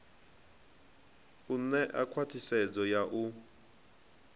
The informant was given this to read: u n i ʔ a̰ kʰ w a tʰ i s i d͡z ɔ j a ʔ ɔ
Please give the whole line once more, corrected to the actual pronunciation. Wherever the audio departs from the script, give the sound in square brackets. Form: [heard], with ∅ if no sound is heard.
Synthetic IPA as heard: u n [ɛ] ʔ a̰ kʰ w a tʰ i s [ɛ] d͡z ɔ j a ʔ [u]